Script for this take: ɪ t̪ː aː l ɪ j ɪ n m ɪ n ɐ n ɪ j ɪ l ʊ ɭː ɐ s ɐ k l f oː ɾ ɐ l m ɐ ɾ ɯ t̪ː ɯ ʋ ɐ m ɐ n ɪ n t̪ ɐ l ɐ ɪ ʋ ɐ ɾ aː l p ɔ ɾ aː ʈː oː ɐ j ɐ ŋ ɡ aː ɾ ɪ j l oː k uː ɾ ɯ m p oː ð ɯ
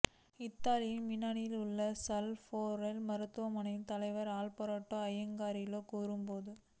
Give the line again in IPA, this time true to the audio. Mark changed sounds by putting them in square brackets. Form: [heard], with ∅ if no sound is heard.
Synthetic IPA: ɪ t̪ː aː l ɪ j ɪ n m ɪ n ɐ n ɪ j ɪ l ʊ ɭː ɐ s ɐ [∅] l f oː ɾ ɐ l m ɐ ɾ ɯ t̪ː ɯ ʋ ɐ m ɐ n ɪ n t̪ ɐ l ɐ ɪ ʋ ɐ ɾ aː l p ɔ ɾ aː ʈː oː ɐ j ɐ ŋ ɡ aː ɾ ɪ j l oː k uː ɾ ɯ m p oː ð ɯ

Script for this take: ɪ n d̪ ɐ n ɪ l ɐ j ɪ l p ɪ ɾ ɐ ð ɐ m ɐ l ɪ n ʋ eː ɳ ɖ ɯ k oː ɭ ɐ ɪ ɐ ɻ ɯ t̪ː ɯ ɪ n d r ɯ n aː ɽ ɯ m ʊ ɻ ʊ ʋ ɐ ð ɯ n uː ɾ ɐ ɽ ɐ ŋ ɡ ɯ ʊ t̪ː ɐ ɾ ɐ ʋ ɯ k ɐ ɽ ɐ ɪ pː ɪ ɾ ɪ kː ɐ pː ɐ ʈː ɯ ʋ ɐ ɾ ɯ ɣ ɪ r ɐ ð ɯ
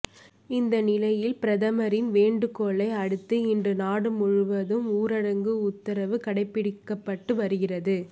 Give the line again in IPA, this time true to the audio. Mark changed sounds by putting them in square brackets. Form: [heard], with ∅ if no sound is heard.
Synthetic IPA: ɪ n d̪ ɐ n ɪ l ɐ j ɪ l p ɪ ɾ ɐ ð ɐ m ɐ [ɾ] ɪ n ʋ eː ɳ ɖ ɯ k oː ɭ ɐ ɪ ɐ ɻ ɯ t̪ː ɯ ɪ n d r ɯ n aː ɽ ɯ m ʊ ɻ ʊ ʋ ɐ ð ɯ [m] uː ɾ ɐ ɽ ɐ ŋ ɡ ɯ ʊ t̪ː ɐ ɾ ɐ ʋ ɯ k ɐ ɽ ɐ ɪ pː ɪ [ɽ] ɪ kː ɐ pː ɐ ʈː ɯ ʋ ɐ ɾ ɯ ɣ ɪ r ɐ ð ɯ

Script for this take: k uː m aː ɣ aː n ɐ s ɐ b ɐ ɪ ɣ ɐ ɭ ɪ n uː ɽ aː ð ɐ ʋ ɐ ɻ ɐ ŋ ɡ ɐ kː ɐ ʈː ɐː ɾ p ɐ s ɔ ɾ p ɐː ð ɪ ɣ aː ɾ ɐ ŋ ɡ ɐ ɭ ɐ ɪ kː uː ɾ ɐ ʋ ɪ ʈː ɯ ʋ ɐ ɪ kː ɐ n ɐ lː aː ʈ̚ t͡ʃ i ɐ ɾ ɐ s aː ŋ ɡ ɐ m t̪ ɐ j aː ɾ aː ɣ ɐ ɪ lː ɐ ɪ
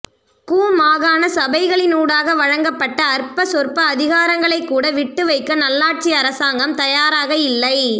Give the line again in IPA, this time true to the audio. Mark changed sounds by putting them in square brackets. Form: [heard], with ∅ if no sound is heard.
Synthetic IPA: k uː m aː ɣ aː n ɐ s ɐ b ɐ ɪ ɣ ɐ ɭ ɪ n uː ɽ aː [ɣ] ɐ ʋ ɐ ɻ ɐ ŋ ɡ ɐ [pː] ɐ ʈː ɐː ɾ p ɐ s ɔ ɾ p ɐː ð ɪ ɣ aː ɾ ɐ ŋ ɡ ɐ ɭ ɐ ɪ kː uː [ɽ] ɐ ʋ ɪ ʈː ɯ ʋ ɐ ɪ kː ɐ n ɐ lː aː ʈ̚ t͡ʃ i ɐ ɾ ɐ s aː ŋ ɡ ɐ m t̪ ɐ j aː ɾ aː ɣ ɐ ɪ lː ɐ ɪ

